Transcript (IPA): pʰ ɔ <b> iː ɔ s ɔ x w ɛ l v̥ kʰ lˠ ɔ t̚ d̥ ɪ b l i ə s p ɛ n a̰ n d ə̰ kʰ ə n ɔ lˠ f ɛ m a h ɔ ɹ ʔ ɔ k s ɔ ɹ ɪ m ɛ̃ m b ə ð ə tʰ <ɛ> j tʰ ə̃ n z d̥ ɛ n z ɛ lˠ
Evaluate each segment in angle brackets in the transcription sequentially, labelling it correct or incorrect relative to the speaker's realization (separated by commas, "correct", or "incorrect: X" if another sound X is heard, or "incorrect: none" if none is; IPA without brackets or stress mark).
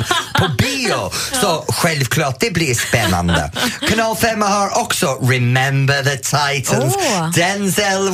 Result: correct, incorrect: a